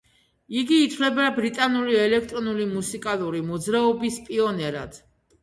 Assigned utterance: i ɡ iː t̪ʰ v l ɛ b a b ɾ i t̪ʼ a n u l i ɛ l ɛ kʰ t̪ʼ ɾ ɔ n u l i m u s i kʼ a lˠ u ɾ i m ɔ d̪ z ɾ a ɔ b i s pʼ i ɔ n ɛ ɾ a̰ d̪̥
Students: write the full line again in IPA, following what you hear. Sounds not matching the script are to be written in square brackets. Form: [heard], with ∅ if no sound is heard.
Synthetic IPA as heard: i ɡ iː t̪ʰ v l ɛ b a b ɾ i t̪ʼ a n u l i ɛ l ɛ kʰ t̪ʼ ɾ ɔ n u l i m u s i kʼ a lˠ u ɾ i m ɔ d̪ z ɾ a ɔ b i s pʼ i ɔ n ɛ ɾ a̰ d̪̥